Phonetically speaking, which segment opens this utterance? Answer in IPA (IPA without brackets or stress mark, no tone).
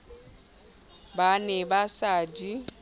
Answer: b